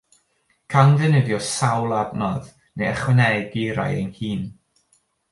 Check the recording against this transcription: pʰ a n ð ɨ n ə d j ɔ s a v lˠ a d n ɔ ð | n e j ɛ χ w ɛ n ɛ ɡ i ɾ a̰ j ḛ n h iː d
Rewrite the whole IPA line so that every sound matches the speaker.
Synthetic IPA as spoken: kʰ a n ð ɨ n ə d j ɔ s a w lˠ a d n ɔ ð | n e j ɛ χ w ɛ n ɛ ɡ i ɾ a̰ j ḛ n h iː n